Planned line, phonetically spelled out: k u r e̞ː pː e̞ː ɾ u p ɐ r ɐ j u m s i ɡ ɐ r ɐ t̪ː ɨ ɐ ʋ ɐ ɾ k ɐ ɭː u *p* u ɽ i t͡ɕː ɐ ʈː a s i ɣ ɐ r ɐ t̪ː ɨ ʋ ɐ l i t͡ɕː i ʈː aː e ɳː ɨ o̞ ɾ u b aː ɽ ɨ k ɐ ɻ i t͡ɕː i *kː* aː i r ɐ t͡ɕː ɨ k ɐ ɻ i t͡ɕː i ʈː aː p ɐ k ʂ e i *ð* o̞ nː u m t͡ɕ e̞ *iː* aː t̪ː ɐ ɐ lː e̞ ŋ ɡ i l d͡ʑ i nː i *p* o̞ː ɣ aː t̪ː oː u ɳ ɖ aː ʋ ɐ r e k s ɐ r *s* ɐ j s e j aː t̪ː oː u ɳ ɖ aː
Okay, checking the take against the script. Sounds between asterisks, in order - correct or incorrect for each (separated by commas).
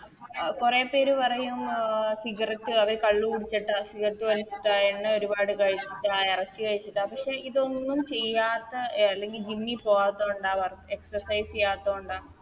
incorrect, incorrect, correct, incorrect, correct, correct